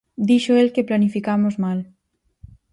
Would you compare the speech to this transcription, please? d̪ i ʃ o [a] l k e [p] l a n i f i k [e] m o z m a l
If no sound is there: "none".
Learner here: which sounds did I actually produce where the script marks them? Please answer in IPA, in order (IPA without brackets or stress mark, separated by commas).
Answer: e, p, a